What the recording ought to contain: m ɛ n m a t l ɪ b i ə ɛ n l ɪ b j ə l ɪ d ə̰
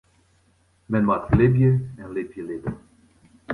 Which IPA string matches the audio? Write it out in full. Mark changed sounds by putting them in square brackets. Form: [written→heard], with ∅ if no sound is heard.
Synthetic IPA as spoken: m ɛ n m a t l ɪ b [i→j] ə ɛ n l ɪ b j ə l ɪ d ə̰